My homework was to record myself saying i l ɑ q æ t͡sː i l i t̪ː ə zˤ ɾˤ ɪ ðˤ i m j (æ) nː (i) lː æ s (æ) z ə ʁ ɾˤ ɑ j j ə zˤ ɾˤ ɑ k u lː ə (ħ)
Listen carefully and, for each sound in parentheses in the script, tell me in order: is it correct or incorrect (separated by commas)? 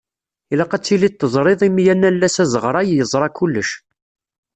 correct, incorrect, correct, incorrect